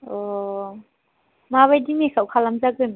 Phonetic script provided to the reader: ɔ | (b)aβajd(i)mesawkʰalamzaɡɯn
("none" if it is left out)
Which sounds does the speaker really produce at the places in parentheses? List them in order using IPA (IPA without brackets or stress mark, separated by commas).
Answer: m, i